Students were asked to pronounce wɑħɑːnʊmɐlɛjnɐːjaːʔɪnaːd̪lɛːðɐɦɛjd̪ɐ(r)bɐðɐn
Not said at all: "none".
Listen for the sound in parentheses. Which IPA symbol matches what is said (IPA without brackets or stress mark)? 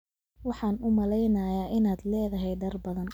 r